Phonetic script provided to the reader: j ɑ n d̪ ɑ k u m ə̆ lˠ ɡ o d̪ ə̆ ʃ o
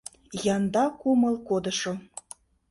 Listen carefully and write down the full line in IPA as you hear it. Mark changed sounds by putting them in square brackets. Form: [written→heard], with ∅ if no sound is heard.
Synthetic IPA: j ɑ n d̪ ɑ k u m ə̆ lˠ [ɡ→k] o d̪ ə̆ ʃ o